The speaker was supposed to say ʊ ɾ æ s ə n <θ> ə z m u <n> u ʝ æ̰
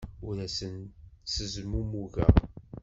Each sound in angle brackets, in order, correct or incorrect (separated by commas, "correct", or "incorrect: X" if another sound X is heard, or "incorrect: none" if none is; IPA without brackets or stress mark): incorrect: s, incorrect: m